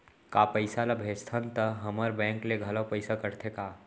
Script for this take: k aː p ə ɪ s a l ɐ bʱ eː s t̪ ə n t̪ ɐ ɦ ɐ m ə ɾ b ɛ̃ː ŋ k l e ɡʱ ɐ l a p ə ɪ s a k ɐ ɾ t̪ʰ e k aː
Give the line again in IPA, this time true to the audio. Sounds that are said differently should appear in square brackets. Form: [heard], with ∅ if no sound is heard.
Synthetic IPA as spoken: k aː p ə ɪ s a l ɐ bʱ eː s [t̪ʰ] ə n t̪ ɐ ɦ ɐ m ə ɾ b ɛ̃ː ŋ k l e ɡʱ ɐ l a p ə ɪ s a k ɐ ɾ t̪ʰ e k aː